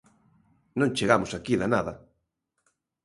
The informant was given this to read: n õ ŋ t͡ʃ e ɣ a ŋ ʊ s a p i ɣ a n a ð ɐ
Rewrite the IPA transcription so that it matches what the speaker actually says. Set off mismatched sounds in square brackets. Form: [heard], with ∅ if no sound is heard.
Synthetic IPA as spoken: n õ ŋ t͡ʃ e ɣ a [m] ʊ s a [k] i [ð] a n a ð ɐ